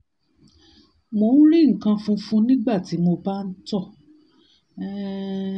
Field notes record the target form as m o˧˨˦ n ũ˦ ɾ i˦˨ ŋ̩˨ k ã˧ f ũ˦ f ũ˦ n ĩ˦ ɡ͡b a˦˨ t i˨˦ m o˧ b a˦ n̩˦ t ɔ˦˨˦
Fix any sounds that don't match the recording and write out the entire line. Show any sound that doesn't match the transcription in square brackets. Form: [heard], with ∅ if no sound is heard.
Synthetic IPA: m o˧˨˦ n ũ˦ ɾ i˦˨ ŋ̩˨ k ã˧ f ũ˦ f ũ˦ n ĩ˦ ɡ͡b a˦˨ t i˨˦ m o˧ b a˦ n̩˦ t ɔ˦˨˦